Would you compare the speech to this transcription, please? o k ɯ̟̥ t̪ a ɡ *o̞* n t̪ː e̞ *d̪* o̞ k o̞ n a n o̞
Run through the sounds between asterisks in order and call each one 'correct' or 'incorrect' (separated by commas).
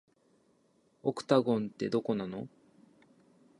incorrect, correct